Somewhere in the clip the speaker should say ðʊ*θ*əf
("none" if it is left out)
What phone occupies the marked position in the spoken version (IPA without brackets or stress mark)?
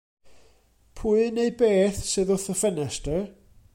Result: θ